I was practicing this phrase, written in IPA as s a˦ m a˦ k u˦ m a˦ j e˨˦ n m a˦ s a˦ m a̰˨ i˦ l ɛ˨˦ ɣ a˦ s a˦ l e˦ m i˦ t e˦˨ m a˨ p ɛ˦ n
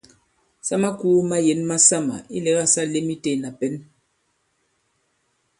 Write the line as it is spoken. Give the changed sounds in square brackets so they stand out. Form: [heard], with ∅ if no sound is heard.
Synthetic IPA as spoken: s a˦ m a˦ k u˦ m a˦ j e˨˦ n m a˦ s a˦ m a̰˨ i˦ l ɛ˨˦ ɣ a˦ s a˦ l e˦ m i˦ t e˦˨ [n] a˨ p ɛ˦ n